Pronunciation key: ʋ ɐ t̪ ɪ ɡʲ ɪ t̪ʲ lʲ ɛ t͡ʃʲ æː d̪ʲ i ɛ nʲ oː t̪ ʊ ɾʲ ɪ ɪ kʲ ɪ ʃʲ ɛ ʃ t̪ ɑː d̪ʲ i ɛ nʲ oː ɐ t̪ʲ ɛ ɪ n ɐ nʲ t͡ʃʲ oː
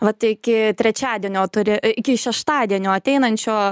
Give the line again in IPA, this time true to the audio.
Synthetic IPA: ʋ ɐ t̪ ɪ kʲ ɪ t̪ʲ ɾʲ ɛ t͡ʃʲ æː d̪ʲ i ɛ nʲ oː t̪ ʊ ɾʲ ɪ ɪ kʲ ɪ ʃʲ ɛ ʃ t̪ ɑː d̪ʲ i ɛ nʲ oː ɐ t̪ʲ ɛ ɪ n ɐ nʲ t͡ʃʲ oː